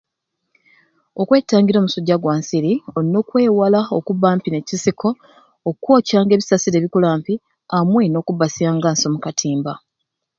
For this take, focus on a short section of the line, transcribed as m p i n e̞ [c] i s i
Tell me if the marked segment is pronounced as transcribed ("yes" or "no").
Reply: yes